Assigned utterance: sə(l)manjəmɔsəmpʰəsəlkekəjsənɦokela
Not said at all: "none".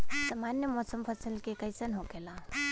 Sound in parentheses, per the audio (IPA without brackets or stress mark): none